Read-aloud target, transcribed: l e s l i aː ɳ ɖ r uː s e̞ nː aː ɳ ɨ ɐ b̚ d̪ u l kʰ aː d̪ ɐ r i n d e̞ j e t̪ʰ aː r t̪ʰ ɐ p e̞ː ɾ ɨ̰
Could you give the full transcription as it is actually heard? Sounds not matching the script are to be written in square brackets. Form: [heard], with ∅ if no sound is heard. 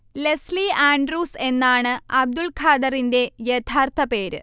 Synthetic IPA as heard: l e s l i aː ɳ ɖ r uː s e̞ nː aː ɳ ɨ ɐ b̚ d̪ u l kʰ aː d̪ ɐ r i n d e̞ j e t̪ʰ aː r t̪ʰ ɐ p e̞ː ɾ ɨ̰